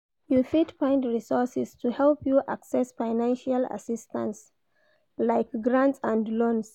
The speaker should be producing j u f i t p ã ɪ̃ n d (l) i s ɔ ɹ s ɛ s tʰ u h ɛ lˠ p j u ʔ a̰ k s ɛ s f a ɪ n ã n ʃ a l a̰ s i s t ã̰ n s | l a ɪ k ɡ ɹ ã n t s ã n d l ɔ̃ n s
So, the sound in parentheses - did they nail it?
no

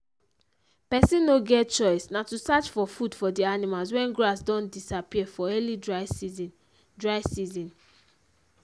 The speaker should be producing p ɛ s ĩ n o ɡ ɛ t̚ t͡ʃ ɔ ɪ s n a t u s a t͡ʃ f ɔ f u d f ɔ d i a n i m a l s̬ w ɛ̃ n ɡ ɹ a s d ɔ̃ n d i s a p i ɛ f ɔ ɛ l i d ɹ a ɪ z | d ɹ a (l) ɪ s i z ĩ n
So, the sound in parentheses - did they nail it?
no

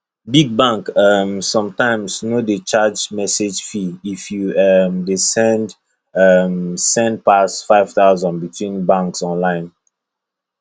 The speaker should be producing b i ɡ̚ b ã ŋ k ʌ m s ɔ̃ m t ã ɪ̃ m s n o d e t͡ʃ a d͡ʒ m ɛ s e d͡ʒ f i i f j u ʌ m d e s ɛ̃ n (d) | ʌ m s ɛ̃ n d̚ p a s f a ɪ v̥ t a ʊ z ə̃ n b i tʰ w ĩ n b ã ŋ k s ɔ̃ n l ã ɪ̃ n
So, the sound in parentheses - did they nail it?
yes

